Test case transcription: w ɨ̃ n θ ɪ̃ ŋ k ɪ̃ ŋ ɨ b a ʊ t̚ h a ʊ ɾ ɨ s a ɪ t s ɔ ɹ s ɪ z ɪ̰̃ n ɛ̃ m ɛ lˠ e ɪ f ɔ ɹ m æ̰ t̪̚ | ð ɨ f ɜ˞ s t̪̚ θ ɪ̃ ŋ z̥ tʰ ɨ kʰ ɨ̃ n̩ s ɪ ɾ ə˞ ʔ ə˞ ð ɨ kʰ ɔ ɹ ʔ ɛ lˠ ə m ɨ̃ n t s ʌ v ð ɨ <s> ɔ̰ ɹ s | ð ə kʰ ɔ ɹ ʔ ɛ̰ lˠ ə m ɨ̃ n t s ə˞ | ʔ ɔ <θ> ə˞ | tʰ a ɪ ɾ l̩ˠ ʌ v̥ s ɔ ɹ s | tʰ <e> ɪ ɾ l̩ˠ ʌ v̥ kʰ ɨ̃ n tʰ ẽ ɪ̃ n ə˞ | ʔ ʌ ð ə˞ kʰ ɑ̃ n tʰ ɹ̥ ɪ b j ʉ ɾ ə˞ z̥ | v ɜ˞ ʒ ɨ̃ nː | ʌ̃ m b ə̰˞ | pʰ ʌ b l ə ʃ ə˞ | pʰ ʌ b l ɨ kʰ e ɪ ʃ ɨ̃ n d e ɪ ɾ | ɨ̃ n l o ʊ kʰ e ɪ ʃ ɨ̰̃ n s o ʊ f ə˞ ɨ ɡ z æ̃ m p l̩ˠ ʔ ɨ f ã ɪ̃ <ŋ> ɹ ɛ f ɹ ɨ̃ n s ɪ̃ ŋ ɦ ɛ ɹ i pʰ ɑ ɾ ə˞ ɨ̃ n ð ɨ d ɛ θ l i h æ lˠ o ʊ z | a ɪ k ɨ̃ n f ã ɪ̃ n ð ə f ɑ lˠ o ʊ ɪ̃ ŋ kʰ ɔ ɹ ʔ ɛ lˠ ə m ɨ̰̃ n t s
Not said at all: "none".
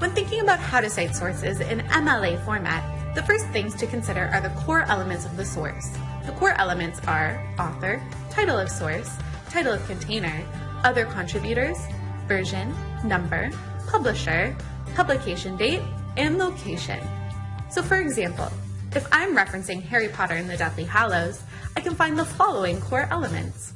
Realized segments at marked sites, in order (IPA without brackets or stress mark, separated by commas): s, θ, a, m